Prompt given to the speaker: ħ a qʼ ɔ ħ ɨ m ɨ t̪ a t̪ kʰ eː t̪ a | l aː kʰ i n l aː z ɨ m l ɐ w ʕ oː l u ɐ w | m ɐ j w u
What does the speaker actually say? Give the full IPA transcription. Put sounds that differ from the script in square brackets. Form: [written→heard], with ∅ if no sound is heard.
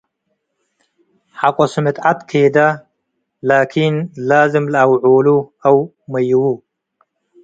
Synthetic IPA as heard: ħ a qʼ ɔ [ħ→s] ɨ m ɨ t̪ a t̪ kʰ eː [t̪→d̪] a | l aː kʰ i n l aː z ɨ m l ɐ w ʕ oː l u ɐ w | m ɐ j w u